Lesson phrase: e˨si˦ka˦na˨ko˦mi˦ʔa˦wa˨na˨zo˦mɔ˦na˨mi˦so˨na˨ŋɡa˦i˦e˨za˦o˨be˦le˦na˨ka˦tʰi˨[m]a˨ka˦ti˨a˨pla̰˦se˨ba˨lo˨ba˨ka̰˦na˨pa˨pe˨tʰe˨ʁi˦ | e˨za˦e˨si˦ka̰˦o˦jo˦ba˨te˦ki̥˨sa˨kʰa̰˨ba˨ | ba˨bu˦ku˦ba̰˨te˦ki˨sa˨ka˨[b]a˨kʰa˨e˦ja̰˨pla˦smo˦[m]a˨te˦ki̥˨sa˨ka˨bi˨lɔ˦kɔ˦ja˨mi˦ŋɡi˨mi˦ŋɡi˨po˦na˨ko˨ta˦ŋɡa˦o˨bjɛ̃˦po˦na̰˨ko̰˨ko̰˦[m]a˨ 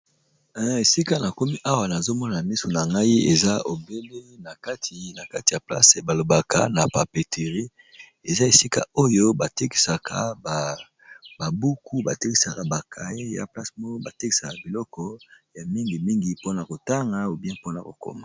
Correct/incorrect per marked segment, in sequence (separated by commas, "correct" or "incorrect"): incorrect, correct, incorrect, correct